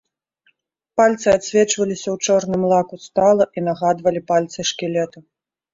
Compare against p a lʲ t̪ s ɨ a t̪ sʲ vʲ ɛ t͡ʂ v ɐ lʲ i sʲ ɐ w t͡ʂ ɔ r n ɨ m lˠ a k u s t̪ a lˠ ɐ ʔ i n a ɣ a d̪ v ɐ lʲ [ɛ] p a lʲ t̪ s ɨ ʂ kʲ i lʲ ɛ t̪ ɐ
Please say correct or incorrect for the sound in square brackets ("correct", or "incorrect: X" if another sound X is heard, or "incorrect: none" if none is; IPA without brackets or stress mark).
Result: incorrect: i